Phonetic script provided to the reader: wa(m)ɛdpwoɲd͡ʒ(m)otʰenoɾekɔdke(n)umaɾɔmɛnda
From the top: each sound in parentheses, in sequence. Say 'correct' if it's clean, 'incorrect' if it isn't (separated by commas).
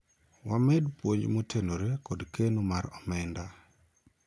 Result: correct, correct, correct